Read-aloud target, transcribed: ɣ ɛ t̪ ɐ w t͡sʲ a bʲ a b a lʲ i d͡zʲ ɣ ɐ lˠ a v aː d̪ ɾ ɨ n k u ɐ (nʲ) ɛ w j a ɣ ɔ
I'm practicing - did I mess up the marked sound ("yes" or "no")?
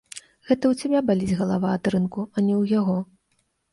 no